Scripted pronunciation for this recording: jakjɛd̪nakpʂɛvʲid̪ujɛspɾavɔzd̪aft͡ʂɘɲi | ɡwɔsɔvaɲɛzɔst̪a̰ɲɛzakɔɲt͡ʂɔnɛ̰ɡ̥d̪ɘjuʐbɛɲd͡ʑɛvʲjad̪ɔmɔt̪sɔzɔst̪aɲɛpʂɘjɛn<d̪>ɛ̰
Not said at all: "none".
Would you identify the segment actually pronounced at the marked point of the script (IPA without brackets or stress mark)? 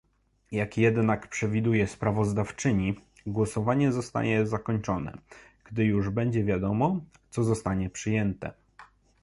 t̪